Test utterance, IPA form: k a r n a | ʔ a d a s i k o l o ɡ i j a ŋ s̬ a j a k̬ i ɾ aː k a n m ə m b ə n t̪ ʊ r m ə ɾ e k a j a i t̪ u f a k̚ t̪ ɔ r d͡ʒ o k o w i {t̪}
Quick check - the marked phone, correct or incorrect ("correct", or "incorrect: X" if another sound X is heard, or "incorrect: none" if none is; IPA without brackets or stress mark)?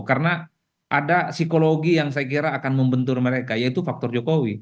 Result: incorrect: none